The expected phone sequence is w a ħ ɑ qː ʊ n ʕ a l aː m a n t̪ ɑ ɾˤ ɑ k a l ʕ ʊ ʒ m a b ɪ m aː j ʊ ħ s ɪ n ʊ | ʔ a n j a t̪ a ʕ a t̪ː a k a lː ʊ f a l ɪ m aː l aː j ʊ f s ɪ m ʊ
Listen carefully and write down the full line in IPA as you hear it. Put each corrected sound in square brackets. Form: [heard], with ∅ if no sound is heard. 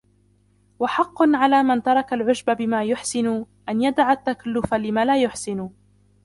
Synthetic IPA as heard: w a ħ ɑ qː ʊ n ʕ a l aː m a n t̪ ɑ ɾˤ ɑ k a l ʕ ʊ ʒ [b] a b ɪ m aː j ʊ ħ s ɪ n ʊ | ʔ a n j a [d̪] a ʕ a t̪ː a k a lː ʊ f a l ɪ m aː l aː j ʊ [ħ] s ɪ [n] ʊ

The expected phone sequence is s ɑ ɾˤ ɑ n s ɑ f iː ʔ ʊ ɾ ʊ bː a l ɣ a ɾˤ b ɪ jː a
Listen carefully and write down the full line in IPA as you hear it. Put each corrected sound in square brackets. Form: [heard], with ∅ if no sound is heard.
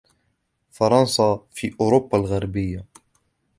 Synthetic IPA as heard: [f] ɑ ɾˤ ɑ n s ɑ f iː ʔ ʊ ɾ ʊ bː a l ɣ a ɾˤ b ɪ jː a

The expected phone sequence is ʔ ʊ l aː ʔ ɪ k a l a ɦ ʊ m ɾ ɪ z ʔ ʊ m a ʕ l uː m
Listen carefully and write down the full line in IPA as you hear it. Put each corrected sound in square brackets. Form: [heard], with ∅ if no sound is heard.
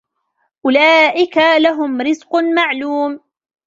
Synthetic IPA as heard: ʔ ʊ l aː ʔ ɪ k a l a ɦ ʊ m ɾ ɪ z [q] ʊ m a ʕ l uː m

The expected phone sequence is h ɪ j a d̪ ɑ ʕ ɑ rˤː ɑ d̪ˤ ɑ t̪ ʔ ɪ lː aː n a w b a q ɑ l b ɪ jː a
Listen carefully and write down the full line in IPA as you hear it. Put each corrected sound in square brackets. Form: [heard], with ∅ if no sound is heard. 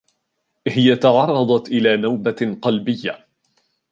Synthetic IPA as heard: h ɪ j a [t̪] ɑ ʕ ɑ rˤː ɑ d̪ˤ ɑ t̪ ʔ ɪ [l] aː n a w b a q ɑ l b ɪ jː a

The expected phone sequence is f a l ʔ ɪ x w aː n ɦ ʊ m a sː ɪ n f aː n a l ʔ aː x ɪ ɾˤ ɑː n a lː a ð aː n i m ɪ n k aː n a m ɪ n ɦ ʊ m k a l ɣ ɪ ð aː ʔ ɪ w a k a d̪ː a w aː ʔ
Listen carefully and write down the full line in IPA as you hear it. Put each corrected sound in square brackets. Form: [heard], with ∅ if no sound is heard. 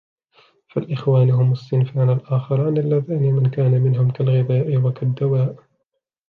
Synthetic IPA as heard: f a l ʔ ɪ x w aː n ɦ ʊ m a sː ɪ n f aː n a l ʔ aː x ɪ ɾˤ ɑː n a lː a ð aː n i m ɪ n k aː n a m ɪ n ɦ ʊ m k a l ɣ ɪ ð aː ʔ ɪ w a k a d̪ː a w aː ʔ

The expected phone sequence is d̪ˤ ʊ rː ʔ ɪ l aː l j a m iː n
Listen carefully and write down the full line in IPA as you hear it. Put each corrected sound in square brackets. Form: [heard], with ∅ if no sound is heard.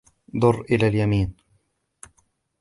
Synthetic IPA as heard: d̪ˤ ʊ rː ʔ ɪ l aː l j a m iː n

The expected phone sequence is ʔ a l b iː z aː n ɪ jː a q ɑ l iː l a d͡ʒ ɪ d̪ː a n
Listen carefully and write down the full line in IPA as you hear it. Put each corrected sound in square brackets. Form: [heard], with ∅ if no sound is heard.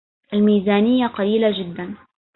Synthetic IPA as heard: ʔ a l [m] iː z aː n ɪ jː a q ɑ l iː l a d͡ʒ ɪ d̪ː a n

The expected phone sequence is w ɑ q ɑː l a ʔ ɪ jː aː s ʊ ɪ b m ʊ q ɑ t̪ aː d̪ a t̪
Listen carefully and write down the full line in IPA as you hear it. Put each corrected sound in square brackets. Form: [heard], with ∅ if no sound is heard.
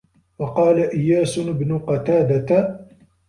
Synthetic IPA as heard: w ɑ q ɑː l a ʔ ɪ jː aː s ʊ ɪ b [n] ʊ q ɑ t̪ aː d̪ a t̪

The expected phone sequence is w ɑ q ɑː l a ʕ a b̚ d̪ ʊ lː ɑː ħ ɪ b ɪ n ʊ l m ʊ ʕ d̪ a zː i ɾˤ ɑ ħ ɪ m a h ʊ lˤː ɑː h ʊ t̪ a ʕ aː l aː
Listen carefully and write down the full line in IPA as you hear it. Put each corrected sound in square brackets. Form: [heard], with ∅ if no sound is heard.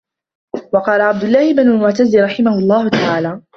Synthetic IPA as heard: w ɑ q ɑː l a ʕ a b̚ d̪ ʊ lː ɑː [h] ɪ b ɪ n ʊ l m ʊ ʕ [t̪] a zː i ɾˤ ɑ ħ ɪ m a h ʊ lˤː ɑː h ʊ t̪ a ʕ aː l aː

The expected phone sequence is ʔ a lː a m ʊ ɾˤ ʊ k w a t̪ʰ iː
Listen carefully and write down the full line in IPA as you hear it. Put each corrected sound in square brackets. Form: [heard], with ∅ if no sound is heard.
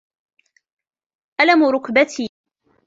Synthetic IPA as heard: ʔ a [l] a m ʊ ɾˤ ʊ k [b] a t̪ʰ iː

